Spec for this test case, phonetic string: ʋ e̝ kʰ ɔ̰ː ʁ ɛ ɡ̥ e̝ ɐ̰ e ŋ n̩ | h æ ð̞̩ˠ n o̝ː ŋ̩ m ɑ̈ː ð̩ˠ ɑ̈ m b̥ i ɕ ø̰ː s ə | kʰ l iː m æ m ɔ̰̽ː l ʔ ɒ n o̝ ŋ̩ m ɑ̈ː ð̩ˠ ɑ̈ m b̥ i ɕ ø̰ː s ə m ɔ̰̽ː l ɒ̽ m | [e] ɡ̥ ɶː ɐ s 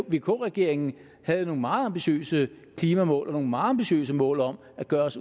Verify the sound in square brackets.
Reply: incorrect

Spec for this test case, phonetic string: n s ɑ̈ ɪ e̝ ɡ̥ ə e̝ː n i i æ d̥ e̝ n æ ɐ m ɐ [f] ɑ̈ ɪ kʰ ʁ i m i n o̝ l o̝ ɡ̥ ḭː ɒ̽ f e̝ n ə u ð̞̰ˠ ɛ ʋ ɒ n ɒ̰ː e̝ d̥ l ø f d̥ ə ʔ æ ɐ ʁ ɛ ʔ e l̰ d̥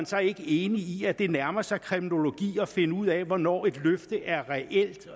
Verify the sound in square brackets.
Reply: incorrect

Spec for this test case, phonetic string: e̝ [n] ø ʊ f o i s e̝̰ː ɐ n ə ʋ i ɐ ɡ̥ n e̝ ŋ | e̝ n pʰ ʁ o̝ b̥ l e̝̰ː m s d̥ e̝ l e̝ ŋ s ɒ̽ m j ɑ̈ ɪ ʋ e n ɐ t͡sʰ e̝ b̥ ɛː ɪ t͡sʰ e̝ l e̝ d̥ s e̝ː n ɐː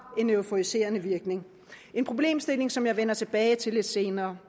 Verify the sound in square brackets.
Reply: correct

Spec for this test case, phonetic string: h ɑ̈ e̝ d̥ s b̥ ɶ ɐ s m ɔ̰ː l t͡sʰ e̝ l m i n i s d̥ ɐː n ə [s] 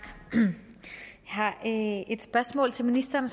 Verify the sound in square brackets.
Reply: correct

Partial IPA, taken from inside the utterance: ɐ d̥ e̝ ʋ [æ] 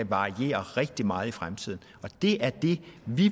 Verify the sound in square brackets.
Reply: incorrect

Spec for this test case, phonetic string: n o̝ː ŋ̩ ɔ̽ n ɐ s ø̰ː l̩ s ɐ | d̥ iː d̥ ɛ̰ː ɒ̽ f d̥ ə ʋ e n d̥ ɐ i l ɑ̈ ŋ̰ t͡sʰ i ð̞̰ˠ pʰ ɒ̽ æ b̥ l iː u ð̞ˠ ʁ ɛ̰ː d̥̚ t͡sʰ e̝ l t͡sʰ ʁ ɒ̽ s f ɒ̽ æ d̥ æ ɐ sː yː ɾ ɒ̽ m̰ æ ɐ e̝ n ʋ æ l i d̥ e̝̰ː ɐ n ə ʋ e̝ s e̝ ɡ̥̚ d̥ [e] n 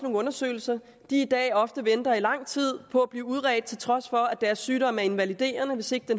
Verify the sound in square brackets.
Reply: correct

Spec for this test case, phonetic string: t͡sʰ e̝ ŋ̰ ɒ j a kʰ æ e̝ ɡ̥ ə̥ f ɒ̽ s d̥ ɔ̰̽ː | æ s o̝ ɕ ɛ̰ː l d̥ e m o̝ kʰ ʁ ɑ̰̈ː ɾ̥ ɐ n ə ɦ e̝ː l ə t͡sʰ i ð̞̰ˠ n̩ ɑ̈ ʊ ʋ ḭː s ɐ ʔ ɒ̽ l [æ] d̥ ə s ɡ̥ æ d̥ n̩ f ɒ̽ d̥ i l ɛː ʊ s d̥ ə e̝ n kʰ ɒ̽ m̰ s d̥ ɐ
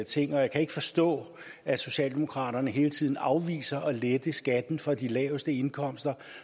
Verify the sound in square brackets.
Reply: incorrect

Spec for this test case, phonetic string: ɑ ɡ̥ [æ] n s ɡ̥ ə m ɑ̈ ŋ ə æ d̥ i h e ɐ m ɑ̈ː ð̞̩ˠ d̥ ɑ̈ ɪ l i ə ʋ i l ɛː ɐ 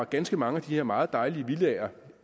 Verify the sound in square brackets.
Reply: correct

